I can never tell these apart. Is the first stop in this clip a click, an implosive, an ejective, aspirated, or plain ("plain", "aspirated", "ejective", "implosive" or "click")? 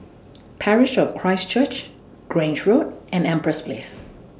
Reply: aspirated